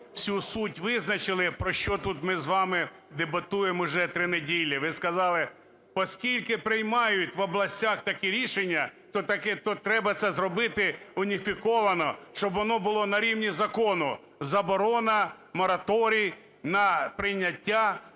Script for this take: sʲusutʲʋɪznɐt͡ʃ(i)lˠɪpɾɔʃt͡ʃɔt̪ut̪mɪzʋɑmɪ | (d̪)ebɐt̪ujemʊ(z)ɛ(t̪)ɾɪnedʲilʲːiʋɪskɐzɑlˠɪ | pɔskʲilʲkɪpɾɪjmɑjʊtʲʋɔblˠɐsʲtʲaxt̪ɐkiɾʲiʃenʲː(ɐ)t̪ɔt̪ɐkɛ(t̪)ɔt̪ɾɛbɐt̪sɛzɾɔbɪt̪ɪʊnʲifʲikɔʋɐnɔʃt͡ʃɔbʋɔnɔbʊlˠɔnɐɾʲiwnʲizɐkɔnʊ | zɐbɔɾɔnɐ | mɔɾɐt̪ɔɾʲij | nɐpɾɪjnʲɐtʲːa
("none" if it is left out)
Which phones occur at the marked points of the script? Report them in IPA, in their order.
ɪ, d̪, ʒ, t̪, ɐ, t̪

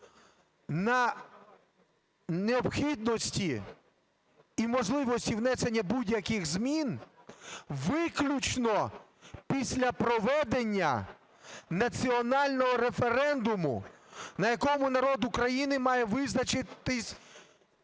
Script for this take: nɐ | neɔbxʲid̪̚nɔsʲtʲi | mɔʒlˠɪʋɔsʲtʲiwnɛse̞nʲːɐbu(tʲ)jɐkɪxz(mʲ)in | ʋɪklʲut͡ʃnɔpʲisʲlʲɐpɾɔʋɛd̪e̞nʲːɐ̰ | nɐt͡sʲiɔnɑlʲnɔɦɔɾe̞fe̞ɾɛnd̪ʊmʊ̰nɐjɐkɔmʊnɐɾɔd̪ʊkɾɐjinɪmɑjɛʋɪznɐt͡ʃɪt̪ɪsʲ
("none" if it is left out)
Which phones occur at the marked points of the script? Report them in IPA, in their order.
dʲ, mʲ

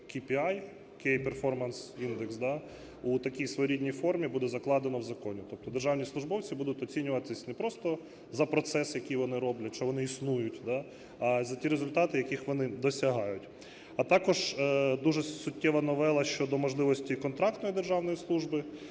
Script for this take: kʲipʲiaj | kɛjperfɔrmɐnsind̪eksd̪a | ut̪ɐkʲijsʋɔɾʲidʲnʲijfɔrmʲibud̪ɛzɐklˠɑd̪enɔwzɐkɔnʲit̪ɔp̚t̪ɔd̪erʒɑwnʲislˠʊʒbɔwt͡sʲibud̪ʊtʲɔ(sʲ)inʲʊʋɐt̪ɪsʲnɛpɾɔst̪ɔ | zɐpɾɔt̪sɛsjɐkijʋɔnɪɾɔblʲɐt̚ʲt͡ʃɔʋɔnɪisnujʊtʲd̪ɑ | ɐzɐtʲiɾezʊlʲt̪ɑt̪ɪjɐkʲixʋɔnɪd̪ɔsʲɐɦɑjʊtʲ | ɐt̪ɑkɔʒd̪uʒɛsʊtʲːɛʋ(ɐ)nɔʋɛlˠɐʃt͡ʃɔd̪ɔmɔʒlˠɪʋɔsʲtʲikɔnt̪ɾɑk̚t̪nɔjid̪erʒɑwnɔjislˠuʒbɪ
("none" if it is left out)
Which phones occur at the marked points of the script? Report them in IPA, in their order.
t͡sʲ, ɐ

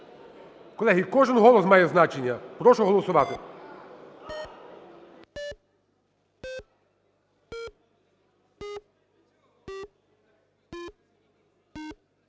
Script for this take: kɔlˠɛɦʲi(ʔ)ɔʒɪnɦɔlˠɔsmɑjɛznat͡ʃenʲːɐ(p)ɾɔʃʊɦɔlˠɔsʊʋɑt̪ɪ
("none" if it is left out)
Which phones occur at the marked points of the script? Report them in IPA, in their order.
k, p

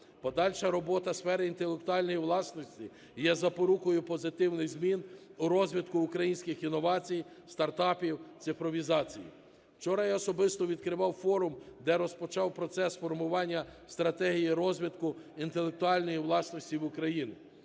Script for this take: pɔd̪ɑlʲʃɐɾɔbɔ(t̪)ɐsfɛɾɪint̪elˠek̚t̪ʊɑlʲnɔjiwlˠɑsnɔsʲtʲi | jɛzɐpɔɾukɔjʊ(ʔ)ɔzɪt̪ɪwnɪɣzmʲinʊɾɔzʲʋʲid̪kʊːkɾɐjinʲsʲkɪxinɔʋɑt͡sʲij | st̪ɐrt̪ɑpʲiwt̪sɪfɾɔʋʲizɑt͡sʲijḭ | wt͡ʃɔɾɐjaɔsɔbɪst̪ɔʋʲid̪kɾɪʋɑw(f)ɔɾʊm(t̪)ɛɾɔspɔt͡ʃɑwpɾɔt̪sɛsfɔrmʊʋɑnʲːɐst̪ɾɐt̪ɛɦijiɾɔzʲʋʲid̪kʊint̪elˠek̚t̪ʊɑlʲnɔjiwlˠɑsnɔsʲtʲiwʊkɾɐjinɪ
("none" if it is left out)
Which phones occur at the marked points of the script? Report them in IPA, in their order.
t̪, p, f, d̪

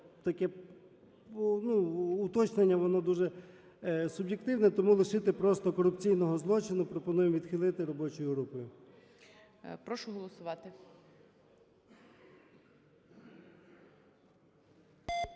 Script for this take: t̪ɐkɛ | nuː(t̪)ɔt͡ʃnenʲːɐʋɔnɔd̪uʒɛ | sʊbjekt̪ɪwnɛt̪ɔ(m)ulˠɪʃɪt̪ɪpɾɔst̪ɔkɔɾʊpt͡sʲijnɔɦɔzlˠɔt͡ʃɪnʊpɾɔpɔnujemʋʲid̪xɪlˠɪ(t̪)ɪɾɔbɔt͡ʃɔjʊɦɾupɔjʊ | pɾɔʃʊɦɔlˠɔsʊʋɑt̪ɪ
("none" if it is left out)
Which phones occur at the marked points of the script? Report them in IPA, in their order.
t̪, m, t̪

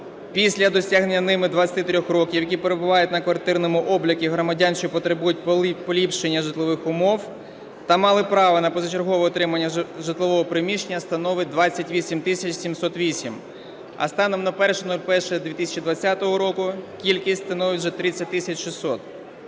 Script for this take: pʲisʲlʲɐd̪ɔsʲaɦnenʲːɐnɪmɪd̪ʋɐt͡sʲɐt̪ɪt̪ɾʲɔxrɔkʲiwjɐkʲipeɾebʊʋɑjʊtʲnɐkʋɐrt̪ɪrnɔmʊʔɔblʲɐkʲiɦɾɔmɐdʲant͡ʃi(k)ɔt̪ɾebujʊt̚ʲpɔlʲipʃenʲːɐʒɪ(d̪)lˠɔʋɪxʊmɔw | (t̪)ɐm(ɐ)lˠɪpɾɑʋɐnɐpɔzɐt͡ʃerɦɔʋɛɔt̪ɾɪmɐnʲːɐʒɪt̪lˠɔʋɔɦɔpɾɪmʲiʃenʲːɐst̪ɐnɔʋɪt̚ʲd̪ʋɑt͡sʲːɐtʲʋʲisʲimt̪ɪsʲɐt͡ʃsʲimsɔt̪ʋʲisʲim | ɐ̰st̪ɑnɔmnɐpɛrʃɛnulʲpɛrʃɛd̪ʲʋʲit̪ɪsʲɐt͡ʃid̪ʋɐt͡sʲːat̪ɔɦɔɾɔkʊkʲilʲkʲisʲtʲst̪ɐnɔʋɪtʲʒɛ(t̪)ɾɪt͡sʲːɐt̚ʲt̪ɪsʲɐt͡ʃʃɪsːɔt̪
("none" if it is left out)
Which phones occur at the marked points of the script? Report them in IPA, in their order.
p, t̪, t̪, ɑ, t̪

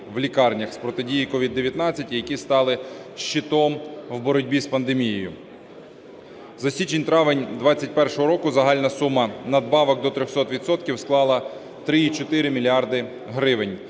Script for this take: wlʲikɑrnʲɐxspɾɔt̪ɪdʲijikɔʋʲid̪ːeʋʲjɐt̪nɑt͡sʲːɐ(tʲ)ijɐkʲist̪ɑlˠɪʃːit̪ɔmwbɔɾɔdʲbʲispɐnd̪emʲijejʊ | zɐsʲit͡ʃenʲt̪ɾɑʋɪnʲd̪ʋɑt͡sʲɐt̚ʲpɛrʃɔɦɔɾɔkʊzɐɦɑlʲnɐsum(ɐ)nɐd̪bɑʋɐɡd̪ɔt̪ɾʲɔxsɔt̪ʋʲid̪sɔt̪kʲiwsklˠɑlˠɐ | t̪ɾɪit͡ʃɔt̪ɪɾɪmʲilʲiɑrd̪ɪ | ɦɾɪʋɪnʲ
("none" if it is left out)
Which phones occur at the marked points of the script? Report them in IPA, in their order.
tʲ, ɐ

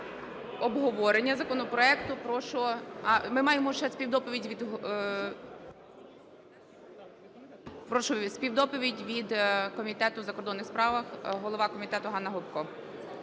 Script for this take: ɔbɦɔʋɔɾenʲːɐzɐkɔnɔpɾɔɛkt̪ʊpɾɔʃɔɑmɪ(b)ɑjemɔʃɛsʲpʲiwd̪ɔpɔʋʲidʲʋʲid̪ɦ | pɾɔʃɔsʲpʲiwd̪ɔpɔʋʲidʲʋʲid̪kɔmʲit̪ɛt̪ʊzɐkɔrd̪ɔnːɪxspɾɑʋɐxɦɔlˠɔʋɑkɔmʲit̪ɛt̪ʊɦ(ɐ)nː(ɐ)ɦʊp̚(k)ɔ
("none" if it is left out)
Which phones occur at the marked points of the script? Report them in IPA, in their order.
m, ɑ, ɐ, k

